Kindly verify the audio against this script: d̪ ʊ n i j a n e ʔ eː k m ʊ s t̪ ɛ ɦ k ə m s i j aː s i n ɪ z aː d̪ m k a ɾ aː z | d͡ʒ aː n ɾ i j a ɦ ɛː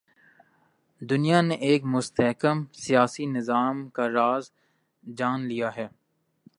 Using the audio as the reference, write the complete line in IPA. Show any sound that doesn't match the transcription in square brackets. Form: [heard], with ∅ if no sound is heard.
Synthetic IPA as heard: d̪ ʊ n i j a n e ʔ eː k m ʊ s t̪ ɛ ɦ k ə m s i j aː s i n ɪ z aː [∅] m k a ɾ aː z | d͡ʒ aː n [l] i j a ɦ ɛː

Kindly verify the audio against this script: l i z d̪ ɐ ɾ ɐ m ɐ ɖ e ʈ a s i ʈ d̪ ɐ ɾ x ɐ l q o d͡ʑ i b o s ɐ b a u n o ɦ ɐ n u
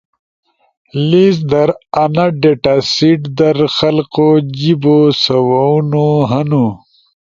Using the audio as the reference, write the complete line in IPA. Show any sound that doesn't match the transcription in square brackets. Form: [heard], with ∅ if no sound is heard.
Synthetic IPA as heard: l i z d̪ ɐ ɾ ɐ [n] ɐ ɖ e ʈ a s i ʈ d̪ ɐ ɾ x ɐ l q o d͡ʑ i b o s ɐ [w] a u n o ɦ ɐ n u

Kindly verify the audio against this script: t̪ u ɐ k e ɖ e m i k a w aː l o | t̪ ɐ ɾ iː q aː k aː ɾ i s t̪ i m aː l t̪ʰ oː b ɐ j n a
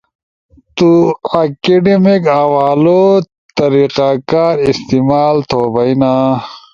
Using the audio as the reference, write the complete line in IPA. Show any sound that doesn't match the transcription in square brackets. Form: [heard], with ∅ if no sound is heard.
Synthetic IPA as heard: t̪ u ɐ k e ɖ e m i k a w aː l o | t̪ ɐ ɾ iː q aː k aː ɾ i s t̪ i m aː l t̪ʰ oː b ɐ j n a

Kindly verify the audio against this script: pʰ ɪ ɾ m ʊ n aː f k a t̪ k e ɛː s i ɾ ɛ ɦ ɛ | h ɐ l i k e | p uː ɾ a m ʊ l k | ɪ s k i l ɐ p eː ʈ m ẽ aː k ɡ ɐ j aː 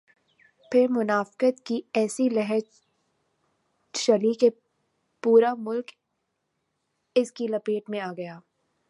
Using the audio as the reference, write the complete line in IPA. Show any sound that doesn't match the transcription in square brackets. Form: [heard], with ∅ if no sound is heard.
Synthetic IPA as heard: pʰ ɪ ɾ m ʊ n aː f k [ə] t̪ k [i] ɛː s i [l] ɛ ɦ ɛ | [ʃ] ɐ l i k e | p uː ɾ a m ʊ l k | ɪ s k i l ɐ p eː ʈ m ẽ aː [∅] ɡ ɐ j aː

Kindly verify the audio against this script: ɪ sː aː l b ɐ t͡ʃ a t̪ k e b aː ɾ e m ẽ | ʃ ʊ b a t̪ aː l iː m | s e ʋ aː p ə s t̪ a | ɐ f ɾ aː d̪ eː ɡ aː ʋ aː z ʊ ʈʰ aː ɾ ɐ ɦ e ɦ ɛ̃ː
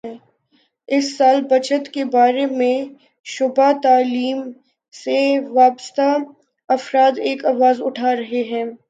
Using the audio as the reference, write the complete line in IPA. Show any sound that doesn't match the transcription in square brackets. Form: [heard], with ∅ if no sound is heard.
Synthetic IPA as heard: ɪ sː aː l b ɐ t͡ʃ [ə] t̪ k e b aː ɾ e m ẽ | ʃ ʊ b a t̪ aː l iː m | s e ʋ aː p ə s t̪ a | ɐ f ɾ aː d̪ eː [k] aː ʋ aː z ʊ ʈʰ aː ɾ ɐ ɦ e ɦ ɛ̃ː

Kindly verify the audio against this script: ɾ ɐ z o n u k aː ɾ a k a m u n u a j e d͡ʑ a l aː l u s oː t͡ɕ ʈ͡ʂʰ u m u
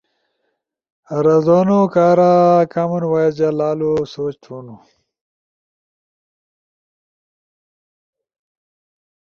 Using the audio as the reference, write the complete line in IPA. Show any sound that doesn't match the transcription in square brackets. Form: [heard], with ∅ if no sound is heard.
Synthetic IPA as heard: ɾ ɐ z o n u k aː ɾ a k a m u n [w] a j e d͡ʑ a l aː l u s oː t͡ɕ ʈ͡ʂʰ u [n] u

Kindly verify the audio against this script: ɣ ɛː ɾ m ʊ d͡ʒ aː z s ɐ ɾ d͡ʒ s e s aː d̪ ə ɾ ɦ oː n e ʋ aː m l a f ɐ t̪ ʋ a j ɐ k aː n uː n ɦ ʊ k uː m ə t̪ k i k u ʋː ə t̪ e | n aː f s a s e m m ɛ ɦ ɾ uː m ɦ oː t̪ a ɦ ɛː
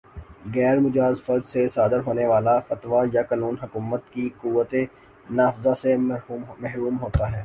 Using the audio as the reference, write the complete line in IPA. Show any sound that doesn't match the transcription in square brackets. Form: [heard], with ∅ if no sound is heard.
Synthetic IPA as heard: ɣ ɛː ɾ m ʊ d͡ʒ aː z [f] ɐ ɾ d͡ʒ s e s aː d̪ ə ɾ ɦ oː n e ʋ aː [∅] l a f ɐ t̪ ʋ a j [a] k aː n uː n ɦ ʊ k uː m ə t̪ k i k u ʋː ə t̪ e | n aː f [z] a s e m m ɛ ɦ ɾ uː m ɦ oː t̪ a ɦ ɛː

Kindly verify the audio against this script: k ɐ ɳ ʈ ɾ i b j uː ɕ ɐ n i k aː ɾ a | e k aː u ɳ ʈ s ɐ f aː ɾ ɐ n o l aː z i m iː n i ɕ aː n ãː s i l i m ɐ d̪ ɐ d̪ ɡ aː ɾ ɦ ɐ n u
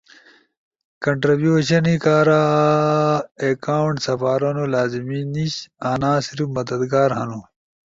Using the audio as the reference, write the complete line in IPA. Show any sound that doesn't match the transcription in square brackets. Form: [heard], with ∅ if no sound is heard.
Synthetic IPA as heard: k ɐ ɳ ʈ ɾ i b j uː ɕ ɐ n i k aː ɾ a | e k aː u ɳ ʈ s ɐ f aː ɾ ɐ n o l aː z i m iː n i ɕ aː n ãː s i [ɾ] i m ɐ d̪ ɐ d̪ ɡ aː ɾ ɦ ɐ n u

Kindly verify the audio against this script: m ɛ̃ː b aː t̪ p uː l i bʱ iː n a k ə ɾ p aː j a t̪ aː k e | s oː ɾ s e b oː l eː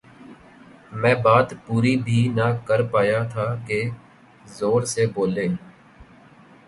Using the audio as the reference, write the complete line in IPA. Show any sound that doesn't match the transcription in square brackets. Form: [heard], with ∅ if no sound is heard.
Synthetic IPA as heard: m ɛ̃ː b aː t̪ p uː [ɾ] i bʱ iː n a k ə ɾ p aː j a [t̪ʰ] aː k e | [z] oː ɾ s e b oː l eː

